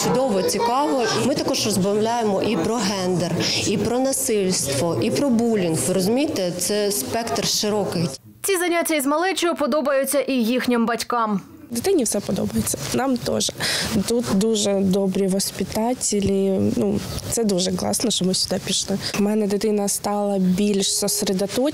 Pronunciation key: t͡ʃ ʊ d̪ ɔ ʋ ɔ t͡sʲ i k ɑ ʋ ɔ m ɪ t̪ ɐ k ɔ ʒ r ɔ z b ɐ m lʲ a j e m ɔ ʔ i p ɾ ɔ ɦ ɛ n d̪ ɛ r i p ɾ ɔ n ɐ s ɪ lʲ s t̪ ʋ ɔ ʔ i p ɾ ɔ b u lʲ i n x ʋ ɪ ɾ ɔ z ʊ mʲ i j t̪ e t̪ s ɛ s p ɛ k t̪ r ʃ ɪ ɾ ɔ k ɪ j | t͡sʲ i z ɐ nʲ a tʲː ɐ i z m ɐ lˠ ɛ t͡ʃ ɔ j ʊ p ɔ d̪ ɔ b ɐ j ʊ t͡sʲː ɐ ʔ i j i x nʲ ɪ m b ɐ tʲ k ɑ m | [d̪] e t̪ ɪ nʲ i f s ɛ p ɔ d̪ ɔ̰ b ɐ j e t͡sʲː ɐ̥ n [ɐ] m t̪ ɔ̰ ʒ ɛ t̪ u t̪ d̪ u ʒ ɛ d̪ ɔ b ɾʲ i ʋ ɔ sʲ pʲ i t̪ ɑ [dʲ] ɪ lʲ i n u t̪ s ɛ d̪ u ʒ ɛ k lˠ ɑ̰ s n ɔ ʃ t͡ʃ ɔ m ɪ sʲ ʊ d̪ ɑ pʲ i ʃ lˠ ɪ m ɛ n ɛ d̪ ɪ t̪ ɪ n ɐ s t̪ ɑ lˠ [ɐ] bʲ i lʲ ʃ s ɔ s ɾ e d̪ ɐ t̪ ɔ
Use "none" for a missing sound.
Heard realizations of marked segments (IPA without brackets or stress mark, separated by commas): d̪, ɑ, tʲ, ɐ